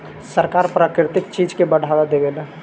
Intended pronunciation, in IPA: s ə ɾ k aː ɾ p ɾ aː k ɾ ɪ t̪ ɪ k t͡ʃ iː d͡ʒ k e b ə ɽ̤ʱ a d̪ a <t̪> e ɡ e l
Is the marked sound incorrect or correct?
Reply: incorrect